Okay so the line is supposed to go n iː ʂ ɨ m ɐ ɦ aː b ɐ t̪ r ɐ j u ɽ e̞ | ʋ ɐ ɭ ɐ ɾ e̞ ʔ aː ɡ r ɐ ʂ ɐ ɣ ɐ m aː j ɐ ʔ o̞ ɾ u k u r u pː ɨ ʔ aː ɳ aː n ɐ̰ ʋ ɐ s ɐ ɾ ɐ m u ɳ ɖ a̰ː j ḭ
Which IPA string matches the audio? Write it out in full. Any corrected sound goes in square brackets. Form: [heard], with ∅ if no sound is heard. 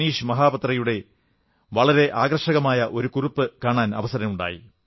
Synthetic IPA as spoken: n iː ʂ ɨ m ɐ ɦ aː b ɐ t̪ r ɐ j u ɽ e̞ | ʋ ɐ ɭ ɐ ɾ e̞ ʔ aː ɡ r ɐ ʂ ɐ ɣ ɐ m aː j ɐ ʔ o̞ ɾ u k u r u pː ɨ [k] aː ɳ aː n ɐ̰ ʋ ɐ s ɐ ɾ ɐ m u ɳ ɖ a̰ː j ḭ

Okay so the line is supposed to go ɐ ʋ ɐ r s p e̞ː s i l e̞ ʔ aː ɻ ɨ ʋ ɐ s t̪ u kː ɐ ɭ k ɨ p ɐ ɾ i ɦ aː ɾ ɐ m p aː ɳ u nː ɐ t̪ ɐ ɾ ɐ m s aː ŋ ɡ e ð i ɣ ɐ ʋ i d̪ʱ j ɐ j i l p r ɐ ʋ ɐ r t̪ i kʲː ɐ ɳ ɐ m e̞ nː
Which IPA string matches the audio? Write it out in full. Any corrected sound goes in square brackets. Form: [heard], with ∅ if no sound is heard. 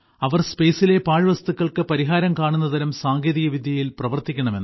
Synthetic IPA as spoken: ɐ ʋ ɐ r s p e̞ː s i l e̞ [p] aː ɻ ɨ ʋ ɐ s t̪ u kː ɐ ɭ k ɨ p ɐ ɾ i ɦ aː ɾ ɐ m [k] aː ɳ u nː ɐ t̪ ɐ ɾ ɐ m s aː ŋ ɡ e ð i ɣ ɐ ʋ i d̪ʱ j ɐ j i l p r ɐ ʋ ɐ r t̪ i kʲː ɐ ɳ ɐ m e̞ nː

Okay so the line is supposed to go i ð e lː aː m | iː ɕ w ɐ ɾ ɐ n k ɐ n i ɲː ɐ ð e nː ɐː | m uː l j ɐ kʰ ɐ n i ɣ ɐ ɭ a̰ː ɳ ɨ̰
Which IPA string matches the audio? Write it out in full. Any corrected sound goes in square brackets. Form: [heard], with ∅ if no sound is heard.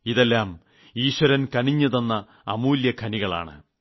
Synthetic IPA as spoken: i ð e lː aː m | iː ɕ w ɐ ɾ ɐ n k ɐ n i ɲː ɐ ð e nː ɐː | m uː l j ɐ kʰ ɐ n i ɣ ɐ ɭ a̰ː ɳ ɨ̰

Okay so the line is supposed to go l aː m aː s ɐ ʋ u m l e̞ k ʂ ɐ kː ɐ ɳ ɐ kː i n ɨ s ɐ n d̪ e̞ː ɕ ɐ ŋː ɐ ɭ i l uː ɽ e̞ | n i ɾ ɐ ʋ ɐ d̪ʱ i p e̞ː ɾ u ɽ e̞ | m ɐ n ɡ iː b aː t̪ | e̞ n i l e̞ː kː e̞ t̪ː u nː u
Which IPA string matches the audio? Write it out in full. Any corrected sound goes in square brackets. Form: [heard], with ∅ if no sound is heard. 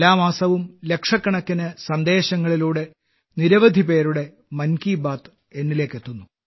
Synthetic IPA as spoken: l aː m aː s ɐ ʋ u m l e̞ k ʂ ɐ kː ɐ ɳ ɐ kː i n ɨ s ɐ n d̪ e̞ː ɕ ɐ ŋː ɐ ɭ i l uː ɽ e̞ | n i ɾ ɐ ʋ ɐ d̪ʱ i p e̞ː ɾ u ɽ e̞ | m ɐ n [k] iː b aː t̪ | e̞ [nː] i l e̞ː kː e̞ t̪ː u nː u

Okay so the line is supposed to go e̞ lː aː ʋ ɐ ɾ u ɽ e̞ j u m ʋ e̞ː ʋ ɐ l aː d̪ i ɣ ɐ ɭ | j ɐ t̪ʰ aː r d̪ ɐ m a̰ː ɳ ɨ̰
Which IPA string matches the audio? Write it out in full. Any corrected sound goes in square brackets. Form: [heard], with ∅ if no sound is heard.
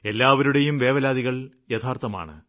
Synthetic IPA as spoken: e̞ lː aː ʋ ɐ ɾ u ɽ e̞ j u m ʋ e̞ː ʋ ɐ l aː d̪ i ɣ ɐ ɭ | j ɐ t̪ʰ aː r [t̪] ɐ m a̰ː ɳ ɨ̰

